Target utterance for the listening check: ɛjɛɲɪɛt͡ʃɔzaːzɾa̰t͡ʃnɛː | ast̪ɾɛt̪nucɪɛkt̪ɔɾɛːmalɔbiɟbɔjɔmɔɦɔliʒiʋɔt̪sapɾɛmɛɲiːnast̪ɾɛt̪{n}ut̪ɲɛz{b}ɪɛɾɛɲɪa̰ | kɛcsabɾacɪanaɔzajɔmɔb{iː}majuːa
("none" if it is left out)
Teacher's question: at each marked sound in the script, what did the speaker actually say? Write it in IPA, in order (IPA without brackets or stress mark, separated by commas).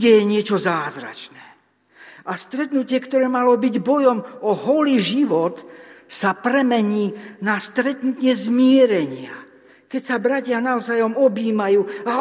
n, m, iː